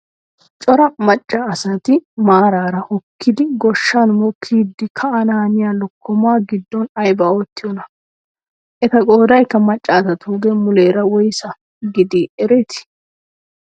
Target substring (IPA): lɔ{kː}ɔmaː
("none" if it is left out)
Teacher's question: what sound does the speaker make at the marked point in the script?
kː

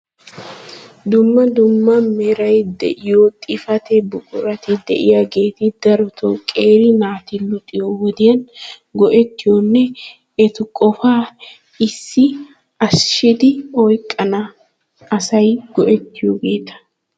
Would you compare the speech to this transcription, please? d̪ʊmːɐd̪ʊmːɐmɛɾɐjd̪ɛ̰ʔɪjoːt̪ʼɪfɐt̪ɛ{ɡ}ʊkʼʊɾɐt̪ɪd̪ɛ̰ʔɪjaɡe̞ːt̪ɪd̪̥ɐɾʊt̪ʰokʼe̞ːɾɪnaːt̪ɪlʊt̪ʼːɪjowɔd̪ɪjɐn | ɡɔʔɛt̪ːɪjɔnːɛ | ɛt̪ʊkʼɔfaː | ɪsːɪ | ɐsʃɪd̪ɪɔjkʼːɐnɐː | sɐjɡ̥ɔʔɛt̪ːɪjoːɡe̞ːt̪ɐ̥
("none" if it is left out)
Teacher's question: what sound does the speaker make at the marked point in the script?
b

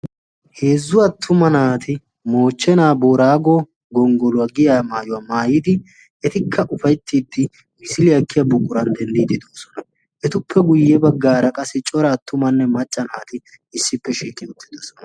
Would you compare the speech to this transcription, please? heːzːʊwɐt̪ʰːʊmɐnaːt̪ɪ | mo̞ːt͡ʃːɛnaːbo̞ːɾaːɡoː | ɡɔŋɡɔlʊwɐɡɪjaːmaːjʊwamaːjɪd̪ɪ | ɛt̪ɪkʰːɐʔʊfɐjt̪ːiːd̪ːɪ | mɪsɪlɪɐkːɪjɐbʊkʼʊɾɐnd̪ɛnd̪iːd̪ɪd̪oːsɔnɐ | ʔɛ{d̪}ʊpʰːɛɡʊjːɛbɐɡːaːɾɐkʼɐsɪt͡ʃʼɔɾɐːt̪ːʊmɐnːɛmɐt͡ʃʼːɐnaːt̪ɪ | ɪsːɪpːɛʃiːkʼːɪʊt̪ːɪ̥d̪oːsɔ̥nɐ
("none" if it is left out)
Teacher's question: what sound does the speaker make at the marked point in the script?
t̪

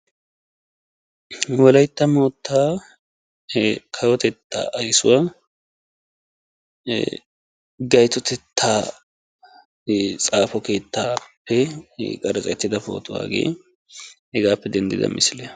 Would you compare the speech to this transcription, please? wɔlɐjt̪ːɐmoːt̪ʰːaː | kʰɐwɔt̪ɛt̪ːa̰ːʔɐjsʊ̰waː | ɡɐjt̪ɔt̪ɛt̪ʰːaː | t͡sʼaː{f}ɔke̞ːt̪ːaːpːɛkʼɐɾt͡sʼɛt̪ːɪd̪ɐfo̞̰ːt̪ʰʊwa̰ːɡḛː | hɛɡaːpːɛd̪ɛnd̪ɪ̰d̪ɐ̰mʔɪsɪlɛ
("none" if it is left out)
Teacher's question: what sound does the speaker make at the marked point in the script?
f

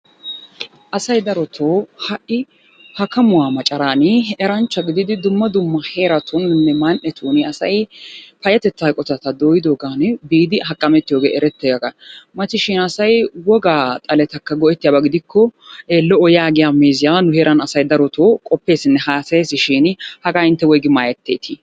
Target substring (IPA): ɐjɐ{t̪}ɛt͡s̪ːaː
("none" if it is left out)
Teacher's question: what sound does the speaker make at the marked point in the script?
t̪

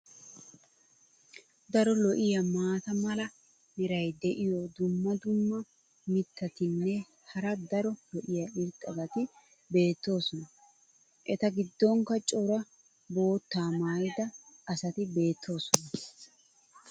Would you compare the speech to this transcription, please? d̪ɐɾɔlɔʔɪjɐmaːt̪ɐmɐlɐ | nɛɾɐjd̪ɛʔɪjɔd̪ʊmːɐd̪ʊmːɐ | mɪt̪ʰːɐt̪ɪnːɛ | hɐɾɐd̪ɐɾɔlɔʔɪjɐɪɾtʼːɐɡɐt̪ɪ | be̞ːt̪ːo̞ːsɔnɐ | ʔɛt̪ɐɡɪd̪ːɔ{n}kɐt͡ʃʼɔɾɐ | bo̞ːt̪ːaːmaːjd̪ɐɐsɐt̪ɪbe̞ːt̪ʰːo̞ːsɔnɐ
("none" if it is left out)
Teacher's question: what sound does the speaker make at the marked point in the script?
ŋ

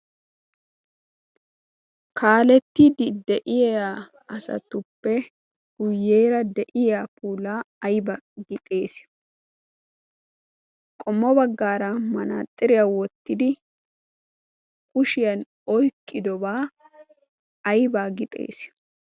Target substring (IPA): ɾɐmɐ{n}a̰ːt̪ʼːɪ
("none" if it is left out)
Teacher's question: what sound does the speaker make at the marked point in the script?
n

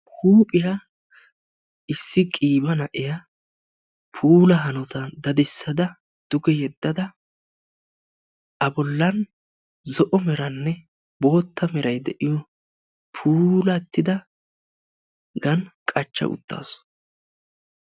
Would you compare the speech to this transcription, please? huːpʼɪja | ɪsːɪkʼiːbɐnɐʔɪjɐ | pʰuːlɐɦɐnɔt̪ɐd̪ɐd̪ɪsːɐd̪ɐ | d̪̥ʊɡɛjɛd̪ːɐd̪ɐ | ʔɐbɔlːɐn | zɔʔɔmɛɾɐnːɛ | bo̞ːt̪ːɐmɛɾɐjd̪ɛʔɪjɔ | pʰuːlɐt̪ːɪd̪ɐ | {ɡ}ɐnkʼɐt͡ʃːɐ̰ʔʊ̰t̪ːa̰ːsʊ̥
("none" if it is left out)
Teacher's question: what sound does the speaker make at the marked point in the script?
ɡ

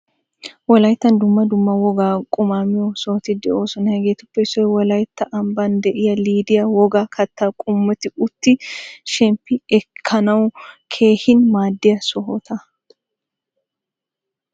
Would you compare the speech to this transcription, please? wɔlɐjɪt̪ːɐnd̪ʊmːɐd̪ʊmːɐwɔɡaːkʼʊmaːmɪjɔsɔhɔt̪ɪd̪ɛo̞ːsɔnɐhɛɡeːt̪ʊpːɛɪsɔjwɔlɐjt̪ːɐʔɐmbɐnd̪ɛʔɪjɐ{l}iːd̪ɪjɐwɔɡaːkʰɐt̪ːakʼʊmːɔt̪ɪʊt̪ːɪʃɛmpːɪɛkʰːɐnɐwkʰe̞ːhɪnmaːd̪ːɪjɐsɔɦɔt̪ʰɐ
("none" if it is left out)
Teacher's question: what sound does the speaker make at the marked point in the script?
l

